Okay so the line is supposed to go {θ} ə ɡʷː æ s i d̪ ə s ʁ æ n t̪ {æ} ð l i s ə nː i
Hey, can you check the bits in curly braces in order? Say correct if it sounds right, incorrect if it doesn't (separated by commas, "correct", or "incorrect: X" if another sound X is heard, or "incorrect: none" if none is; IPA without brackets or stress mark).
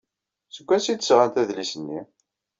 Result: incorrect: s, correct